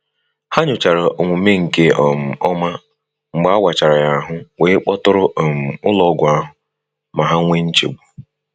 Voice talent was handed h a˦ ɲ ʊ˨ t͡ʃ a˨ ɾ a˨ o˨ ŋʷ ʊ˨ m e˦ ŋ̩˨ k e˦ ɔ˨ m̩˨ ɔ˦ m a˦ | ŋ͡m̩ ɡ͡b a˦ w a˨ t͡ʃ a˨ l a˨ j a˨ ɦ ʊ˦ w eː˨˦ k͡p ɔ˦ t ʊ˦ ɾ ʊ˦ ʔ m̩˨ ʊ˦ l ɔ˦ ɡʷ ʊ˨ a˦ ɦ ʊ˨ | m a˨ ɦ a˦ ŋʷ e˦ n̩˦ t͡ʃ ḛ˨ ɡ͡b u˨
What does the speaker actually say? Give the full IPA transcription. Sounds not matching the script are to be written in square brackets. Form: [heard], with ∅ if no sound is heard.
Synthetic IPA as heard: h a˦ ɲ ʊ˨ t͡ʃ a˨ ɾ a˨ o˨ ŋʷ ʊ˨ m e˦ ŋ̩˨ k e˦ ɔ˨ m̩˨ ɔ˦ m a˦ | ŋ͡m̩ ɡ͡b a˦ w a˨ t͡ʃ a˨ [ɾ] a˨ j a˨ ɦ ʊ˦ w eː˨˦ k͡p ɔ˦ t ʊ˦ ɾ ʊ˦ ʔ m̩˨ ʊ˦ l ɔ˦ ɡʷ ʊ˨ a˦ ɦ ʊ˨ | m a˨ ɦ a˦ ŋʷ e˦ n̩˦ t͡ʃ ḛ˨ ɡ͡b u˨